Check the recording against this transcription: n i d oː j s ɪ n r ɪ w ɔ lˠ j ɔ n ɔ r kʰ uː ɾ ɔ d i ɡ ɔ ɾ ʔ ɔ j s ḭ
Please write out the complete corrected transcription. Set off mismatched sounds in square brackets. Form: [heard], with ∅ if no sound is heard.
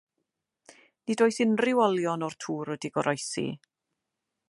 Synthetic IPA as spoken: n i d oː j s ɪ n r ɪ w ɔ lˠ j ɔ n ɔ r [tʰ] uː ɾ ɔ d i ɡ ɔ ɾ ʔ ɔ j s ḭ